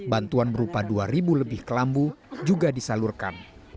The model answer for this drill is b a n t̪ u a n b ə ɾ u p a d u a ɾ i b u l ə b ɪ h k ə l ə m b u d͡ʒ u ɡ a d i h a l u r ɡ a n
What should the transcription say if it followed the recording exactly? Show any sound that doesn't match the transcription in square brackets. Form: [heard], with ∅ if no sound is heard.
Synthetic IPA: b a n t̪ u a n b ə ɾ u p a d u a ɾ i b u l ə b ɪ h k ə l [a] m b u d͡ʒ u ɡ a d i [s] a l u r [k] a n